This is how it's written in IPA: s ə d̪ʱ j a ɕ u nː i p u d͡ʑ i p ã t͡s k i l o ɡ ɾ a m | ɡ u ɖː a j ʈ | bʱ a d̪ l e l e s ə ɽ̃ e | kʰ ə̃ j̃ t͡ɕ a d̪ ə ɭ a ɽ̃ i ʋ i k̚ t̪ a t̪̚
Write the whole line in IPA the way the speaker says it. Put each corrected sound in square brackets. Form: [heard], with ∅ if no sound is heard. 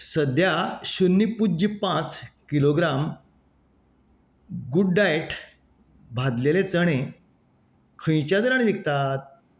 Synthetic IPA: s ə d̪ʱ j a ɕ u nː i p u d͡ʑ i p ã t͡s k i l o ɡ ɾ a m | ɡ u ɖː a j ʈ | bʱ a d̪ l e l e [t͡s] ə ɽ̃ e | kʰ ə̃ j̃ t͡ɕ a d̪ ə [ɾ] a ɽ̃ i ʋ i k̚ t̪ a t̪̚